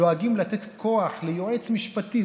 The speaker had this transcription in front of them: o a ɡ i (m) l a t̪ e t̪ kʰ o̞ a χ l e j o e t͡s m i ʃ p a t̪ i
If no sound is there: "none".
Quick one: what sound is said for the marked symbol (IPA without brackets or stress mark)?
m